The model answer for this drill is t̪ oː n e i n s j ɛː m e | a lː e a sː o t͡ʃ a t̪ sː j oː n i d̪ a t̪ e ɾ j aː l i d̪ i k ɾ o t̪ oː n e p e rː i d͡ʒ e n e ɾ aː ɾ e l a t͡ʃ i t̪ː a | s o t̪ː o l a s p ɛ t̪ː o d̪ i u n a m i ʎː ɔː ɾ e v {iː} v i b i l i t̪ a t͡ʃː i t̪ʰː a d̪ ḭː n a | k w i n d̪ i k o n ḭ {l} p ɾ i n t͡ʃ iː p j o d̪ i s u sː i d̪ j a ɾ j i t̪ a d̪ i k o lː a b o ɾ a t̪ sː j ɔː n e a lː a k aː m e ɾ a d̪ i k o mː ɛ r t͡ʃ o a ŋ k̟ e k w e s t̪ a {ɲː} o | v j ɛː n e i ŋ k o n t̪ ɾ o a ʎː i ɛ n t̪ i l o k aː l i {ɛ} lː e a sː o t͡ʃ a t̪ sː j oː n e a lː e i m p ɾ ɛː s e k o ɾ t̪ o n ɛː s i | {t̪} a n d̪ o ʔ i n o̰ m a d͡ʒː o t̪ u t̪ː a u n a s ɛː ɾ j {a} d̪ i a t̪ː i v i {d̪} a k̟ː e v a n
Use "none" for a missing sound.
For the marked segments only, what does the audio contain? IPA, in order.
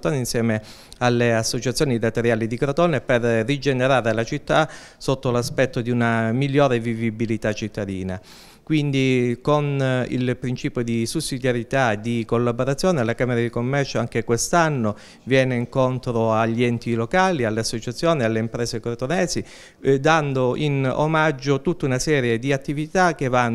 i, l, nː, a, d̪, e, t̪

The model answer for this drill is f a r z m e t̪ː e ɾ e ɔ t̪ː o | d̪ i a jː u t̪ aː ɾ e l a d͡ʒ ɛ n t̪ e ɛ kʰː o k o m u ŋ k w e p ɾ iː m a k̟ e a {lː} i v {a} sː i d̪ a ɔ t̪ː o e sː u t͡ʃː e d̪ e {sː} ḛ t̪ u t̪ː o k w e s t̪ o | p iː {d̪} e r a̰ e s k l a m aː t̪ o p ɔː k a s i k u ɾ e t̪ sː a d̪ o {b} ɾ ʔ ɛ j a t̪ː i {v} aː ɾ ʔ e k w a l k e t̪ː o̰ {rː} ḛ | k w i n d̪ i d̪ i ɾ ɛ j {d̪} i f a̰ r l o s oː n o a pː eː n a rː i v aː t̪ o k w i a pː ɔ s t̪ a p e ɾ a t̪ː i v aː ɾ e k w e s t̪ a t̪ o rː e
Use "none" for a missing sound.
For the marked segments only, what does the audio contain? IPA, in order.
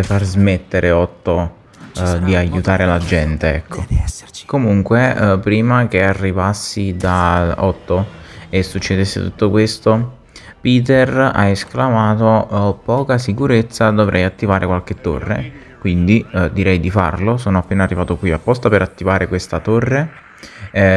rː, a, sː, t̪, v, v, rː, d̪

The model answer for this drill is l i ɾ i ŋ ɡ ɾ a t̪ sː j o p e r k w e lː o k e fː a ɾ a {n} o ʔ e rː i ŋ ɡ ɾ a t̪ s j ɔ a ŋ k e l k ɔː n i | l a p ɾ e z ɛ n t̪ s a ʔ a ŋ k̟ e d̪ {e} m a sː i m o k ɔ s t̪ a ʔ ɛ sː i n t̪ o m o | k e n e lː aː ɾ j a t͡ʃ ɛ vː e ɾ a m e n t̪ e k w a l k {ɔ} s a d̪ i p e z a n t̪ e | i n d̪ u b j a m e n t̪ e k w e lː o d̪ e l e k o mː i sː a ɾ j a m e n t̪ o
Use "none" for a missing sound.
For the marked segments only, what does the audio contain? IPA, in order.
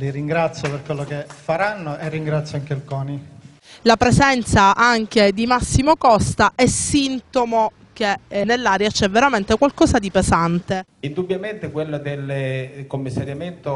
nː, i, ɔː

